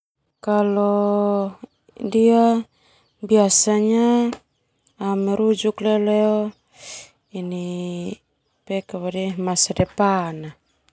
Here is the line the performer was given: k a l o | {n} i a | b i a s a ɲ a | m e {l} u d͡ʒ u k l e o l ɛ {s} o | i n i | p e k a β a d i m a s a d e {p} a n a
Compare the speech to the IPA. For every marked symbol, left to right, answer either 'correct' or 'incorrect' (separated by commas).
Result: incorrect, incorrect, incorrect, correct